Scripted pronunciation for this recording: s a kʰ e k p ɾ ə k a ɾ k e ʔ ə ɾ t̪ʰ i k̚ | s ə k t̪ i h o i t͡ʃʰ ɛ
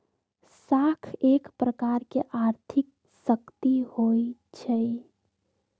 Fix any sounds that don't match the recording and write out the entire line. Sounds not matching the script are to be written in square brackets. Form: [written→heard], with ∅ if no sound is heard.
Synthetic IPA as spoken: s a kʰ e k p ɾ ə k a ɾ k e ʔ [ə→a] ɾ t̪ʰ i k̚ | s ə k t̪ i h o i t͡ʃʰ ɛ